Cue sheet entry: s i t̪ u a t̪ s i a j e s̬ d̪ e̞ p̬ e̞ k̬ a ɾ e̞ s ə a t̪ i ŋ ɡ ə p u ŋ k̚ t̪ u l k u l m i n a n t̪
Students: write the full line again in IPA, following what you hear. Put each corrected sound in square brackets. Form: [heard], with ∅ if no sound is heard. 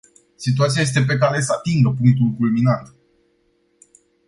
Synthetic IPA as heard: s i t̪ u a t̪ s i a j e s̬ [t̪] e̞ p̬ e̞ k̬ a ɾ e̞ s ə a t̪ i ŋ ɡ ə p u ŋ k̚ t̪ u l k u l m i n a n t̪